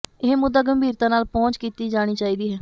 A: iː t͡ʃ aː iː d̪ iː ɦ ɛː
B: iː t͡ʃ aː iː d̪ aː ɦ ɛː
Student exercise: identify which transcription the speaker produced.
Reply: A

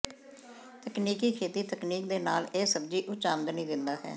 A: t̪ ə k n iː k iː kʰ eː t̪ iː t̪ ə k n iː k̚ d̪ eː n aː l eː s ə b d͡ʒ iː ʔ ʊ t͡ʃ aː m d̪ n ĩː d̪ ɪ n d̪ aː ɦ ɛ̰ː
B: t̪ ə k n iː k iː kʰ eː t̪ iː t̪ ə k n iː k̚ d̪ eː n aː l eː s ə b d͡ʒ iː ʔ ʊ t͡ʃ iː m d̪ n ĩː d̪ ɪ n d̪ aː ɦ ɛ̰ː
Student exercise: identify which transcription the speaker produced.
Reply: A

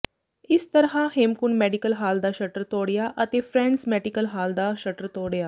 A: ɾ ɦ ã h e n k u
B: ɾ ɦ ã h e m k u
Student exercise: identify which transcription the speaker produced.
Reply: B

